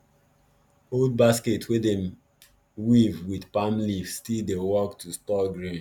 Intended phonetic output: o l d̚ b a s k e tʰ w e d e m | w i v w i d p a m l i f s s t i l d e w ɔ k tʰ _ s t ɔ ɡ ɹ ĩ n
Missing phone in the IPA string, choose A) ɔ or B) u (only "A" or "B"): B